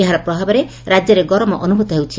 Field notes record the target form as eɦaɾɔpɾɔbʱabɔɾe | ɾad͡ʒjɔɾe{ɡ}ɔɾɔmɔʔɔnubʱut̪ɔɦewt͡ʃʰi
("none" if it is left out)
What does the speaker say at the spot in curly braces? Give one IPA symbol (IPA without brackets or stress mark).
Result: ɡ